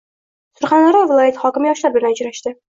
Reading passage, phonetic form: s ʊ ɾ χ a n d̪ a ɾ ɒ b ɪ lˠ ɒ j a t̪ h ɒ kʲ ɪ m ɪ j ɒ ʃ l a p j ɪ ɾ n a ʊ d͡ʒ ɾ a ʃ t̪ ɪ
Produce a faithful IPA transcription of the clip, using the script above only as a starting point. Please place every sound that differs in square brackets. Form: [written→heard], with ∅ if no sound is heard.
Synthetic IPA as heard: s ʊ ɾ χ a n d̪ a ɾ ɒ [b→v] ɪ lˠ ɒ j a t̪ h ɒ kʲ ɪ m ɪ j ɒ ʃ l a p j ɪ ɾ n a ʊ d͡ʒ ɾ a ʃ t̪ ɪ